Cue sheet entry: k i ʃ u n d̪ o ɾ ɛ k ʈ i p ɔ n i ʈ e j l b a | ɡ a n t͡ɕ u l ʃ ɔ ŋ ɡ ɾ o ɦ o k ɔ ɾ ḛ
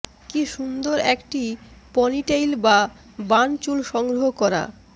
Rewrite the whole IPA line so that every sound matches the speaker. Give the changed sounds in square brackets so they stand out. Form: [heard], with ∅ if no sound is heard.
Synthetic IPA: k i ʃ u n d̪ o ɾ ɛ k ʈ i p ɔ n i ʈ e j l b a | [b] a n t͡ɕ u l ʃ ɔ ŋ ɡ ɾ o ɦ o k ɔ ɾ [a̰]